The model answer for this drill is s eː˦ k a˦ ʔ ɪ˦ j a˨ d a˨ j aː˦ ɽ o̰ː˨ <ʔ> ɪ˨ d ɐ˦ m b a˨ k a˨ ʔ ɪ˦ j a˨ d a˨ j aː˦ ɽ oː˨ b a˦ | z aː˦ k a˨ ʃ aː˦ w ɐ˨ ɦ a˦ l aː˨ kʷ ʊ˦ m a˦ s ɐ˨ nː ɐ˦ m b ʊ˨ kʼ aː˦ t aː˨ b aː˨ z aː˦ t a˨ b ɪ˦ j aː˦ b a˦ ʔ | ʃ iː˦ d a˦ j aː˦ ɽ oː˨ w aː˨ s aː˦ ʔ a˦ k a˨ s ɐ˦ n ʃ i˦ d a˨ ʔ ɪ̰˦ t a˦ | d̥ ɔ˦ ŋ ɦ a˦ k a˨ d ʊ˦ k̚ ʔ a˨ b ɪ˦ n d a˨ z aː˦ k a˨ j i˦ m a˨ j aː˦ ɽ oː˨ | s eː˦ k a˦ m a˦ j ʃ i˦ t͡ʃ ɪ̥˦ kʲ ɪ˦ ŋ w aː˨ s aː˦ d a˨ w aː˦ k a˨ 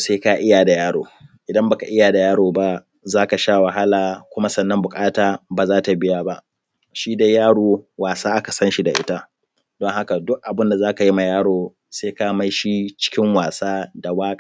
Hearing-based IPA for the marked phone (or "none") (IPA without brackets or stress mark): ʔ